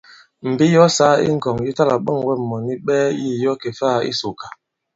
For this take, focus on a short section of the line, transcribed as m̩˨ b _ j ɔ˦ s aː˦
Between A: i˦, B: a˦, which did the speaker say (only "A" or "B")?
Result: A